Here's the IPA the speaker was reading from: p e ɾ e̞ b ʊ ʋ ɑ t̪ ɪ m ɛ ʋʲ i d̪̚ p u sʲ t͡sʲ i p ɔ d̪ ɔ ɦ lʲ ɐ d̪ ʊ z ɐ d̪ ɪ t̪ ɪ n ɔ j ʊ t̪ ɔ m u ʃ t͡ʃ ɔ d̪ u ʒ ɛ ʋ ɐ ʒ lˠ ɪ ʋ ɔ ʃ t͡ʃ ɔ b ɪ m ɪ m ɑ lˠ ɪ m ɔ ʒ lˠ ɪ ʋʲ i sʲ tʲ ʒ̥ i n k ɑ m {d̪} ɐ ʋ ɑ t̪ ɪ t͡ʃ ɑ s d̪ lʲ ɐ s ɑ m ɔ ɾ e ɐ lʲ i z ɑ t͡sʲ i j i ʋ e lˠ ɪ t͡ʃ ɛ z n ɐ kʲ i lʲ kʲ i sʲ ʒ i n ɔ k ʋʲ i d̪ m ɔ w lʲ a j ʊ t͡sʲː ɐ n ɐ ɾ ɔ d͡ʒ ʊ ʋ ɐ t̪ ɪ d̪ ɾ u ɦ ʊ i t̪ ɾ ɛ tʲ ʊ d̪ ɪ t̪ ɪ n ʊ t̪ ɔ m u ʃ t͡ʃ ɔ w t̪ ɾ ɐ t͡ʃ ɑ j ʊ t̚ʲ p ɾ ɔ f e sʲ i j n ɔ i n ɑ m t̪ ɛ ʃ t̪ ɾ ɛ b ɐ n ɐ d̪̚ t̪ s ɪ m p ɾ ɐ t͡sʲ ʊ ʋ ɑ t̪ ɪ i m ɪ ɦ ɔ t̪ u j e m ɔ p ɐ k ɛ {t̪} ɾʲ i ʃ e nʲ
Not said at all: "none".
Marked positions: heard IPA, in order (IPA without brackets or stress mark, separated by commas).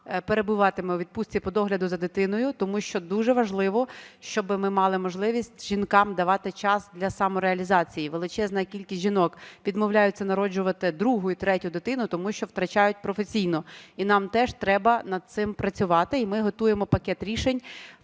d̪, t̪